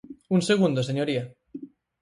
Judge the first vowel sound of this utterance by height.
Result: high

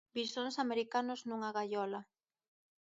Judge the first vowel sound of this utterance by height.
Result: high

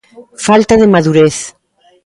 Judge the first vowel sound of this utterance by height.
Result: low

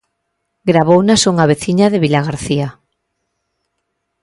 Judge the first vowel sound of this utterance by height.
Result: low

